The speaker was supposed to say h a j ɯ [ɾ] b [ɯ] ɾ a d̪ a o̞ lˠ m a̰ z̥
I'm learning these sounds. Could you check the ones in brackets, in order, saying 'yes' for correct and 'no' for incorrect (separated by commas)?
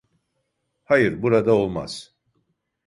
yes, no